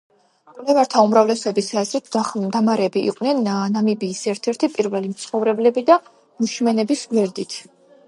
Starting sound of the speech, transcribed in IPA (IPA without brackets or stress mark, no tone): kʼ